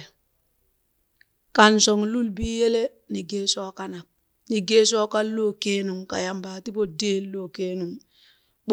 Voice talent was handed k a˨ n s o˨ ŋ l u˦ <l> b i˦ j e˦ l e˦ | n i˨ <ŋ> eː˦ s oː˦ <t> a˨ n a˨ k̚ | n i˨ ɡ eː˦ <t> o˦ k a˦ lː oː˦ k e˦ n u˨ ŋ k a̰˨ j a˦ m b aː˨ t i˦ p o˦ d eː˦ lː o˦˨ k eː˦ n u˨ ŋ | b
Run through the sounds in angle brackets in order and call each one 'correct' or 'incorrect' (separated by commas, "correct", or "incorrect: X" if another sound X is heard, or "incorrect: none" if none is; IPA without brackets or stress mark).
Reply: correct, incorrect: ɡ, incorrect: k, incorrect: s